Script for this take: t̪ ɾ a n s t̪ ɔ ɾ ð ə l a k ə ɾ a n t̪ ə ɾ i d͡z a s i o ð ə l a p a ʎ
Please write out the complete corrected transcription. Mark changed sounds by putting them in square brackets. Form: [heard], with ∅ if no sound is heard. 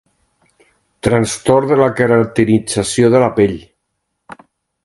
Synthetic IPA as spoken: t̪ ɾ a n s t̪ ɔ ɾ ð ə l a k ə ɾ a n t̪ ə ɾ i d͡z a s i o ð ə l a p [e] ʎ